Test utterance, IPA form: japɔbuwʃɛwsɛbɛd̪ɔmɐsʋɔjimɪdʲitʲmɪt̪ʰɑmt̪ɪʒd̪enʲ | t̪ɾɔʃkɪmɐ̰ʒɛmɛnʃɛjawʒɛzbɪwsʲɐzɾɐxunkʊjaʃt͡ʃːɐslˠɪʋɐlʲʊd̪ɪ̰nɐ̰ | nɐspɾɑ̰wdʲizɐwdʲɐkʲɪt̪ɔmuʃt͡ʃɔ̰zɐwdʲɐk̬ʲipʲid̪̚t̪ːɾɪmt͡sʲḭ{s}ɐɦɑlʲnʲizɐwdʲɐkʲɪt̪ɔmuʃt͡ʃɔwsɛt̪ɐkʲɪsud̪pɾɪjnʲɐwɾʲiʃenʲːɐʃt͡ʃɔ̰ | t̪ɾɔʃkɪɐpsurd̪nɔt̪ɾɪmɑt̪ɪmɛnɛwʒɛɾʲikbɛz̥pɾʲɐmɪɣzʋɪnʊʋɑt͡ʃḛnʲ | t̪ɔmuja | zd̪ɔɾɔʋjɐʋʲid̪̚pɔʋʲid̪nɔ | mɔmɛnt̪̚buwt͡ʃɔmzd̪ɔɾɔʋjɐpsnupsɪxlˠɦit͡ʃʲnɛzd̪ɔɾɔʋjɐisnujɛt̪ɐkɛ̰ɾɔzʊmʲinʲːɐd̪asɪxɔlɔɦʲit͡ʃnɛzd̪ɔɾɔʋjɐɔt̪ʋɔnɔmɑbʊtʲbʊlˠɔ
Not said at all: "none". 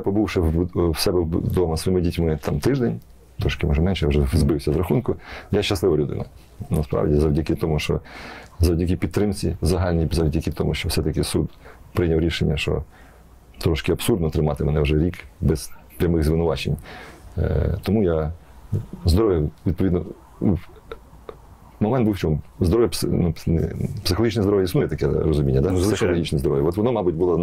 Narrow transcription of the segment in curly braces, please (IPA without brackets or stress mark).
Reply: z